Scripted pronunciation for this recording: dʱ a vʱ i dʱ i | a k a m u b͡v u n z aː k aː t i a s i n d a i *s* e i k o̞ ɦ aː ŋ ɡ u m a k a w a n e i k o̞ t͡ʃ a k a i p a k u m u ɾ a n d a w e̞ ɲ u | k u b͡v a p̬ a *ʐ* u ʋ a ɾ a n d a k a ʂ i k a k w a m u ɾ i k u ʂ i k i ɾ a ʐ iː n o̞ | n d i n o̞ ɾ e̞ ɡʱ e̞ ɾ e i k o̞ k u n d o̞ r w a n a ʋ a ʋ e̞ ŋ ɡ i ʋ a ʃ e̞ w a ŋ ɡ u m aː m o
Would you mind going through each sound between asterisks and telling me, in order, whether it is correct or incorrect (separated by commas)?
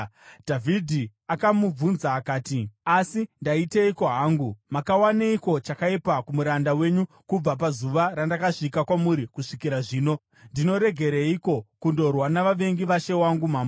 incorrect, incorrect